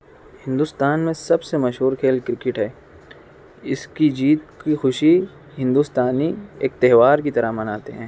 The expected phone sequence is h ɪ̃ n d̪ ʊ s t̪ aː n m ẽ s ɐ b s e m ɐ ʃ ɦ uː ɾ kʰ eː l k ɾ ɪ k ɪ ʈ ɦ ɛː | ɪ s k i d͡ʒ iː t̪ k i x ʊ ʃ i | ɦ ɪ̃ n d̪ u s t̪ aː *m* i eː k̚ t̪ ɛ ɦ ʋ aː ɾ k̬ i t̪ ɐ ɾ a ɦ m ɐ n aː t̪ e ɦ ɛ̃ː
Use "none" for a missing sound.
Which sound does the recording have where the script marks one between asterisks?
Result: n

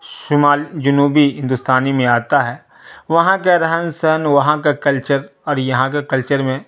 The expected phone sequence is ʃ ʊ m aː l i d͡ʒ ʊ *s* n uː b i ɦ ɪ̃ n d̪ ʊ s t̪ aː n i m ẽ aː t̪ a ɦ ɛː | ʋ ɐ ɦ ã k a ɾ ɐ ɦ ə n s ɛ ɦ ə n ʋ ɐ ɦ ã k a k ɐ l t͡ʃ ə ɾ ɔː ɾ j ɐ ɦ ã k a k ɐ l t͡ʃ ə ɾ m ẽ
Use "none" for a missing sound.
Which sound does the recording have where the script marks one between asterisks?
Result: none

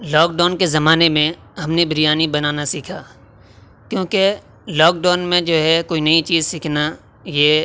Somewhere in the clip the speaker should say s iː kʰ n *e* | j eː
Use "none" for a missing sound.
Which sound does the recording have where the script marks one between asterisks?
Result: a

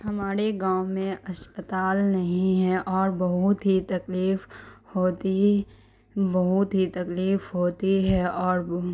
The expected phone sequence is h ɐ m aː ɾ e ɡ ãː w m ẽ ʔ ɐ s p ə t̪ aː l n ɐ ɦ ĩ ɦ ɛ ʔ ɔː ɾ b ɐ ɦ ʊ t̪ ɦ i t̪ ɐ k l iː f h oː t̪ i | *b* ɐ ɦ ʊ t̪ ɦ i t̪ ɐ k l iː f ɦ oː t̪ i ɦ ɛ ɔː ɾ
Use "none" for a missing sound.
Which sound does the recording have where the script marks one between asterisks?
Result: b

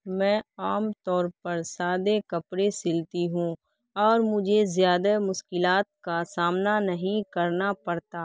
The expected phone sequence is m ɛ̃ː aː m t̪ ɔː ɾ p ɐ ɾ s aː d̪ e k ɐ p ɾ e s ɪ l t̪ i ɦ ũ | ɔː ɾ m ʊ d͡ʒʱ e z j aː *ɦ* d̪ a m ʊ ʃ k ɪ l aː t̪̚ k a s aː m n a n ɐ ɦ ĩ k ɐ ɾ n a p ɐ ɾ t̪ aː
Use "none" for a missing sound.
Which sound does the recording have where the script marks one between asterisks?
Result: none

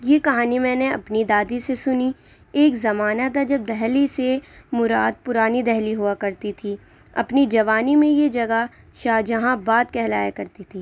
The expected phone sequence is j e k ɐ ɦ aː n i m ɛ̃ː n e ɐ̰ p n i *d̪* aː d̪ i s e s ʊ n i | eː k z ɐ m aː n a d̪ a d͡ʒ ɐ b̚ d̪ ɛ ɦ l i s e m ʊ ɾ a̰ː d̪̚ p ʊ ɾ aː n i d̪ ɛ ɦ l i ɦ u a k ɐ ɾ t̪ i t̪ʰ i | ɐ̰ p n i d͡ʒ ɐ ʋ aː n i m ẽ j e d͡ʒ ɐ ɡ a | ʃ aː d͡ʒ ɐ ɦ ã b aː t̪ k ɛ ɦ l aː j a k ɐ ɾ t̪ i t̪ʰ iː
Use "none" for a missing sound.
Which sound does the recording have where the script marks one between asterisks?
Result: d̪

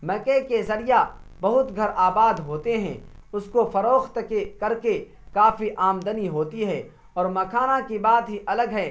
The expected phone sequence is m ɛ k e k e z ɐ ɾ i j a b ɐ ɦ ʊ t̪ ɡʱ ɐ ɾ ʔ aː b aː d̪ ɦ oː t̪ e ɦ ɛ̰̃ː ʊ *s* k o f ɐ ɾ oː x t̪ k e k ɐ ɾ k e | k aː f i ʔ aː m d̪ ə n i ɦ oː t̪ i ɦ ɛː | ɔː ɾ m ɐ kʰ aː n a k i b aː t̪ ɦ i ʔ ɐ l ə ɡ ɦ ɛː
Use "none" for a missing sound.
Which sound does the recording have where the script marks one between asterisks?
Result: s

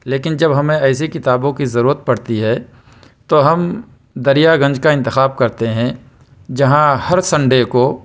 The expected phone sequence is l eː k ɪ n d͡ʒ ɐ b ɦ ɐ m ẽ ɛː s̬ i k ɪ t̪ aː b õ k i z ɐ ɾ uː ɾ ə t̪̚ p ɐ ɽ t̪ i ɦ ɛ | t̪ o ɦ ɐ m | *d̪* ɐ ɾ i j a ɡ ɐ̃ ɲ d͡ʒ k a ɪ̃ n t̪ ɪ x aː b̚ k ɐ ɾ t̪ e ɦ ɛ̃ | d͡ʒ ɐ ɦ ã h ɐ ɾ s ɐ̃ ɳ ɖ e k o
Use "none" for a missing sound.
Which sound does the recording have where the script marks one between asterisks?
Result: d̪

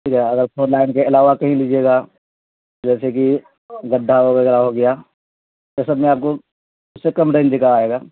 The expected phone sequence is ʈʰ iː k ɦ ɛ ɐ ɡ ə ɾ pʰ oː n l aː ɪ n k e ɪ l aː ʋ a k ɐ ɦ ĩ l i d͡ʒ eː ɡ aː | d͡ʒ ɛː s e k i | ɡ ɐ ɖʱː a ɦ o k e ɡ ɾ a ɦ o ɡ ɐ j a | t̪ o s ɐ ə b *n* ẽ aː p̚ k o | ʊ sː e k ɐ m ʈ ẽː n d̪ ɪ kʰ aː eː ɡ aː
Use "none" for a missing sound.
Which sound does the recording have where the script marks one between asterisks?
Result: m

